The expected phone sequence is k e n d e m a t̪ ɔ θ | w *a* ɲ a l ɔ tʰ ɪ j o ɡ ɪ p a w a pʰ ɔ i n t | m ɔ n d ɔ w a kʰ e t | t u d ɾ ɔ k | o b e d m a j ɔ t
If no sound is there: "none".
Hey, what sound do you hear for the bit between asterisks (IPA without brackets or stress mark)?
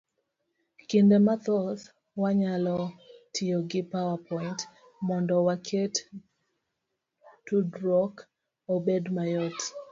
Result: a